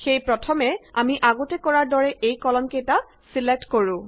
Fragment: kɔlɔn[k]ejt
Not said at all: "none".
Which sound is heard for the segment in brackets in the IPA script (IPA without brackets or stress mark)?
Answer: k